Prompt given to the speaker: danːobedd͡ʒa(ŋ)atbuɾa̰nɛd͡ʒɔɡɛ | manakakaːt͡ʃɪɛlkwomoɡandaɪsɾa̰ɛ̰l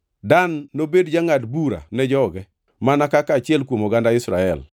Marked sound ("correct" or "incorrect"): correct